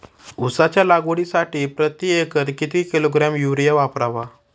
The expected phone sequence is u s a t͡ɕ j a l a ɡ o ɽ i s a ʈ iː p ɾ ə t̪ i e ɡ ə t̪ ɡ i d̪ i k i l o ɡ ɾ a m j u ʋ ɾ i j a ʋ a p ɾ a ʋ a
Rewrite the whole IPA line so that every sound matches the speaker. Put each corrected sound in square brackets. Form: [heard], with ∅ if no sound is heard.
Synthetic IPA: u s a t͡ɕ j a l a ɡ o ɽ i s a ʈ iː p ɾ ə t̪ i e [k] ə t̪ [k] i [t̪] i k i l o ɡ ɾ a m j u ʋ ɾ i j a ʋ a p ɾ a ʋ a